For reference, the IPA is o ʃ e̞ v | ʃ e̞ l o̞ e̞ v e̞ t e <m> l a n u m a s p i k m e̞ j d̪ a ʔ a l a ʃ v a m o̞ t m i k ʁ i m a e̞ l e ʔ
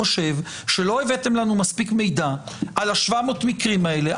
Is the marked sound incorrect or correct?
correct